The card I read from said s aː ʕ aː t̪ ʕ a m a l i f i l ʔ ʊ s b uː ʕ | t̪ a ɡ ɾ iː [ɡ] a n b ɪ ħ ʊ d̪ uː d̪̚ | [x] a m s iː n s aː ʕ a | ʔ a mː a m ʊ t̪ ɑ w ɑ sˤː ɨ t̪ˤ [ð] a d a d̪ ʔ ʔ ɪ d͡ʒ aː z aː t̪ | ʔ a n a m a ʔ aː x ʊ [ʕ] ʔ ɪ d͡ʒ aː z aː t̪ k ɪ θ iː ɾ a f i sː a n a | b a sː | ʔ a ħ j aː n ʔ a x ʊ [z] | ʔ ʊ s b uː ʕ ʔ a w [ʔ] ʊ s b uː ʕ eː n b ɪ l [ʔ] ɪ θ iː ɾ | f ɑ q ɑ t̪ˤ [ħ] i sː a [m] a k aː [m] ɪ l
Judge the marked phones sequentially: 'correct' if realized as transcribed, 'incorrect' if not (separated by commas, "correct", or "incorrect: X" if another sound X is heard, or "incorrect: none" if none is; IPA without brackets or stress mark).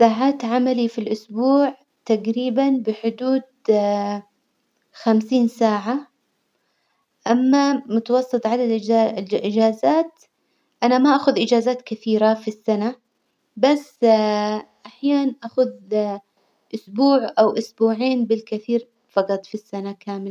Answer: incorrect: b, correct, incorrect: ʕ, incorrect: ð, incorrect: ð, correct, incorrect: k, incorrect: f, incorrect: n, correct